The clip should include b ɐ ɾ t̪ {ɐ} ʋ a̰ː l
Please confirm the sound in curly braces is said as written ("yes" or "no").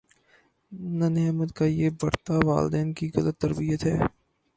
no